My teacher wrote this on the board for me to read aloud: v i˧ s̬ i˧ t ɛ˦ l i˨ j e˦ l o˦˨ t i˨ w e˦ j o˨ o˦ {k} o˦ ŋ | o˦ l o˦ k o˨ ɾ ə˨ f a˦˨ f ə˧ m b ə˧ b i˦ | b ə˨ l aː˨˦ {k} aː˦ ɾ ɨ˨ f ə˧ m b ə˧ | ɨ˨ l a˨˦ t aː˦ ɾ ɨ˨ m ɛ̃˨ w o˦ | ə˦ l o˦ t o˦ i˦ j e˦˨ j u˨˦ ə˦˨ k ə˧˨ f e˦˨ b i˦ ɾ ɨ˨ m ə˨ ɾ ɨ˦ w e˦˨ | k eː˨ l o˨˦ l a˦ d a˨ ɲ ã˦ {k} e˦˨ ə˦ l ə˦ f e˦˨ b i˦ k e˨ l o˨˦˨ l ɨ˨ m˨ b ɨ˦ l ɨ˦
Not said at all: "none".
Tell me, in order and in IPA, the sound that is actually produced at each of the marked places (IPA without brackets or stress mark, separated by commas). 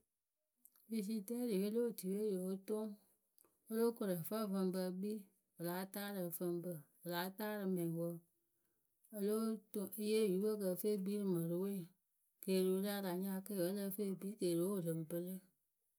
t, t, k